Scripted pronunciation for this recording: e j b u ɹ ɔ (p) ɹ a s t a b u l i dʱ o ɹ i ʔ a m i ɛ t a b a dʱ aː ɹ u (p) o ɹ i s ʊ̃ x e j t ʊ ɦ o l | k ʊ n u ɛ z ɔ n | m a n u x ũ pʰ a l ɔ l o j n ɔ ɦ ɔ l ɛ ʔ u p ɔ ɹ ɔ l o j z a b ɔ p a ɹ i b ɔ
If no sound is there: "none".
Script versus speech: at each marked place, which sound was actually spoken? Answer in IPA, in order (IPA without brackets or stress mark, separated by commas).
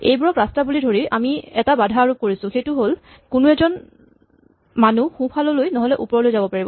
k, k